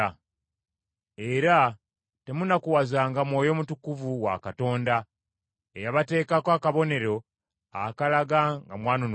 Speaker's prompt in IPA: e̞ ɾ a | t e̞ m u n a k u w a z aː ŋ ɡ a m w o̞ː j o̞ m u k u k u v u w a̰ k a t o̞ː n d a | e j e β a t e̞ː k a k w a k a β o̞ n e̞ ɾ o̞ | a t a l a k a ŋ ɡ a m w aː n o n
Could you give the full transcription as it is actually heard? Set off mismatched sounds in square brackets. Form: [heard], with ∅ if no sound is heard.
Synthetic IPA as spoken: e̞ ɾ a | t e̞ m u n a k u w a z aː ŋ ɡ a m w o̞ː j o̞ m u [t] u k u v u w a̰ k a t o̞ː n d a | e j [a] β a t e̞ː k a k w a k a β o̞ n e̞ ɾ o̞ | a [k] a l a [ɡ] a ŋ ɡ a m w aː n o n